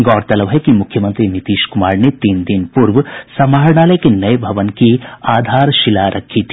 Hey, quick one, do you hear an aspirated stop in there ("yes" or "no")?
yes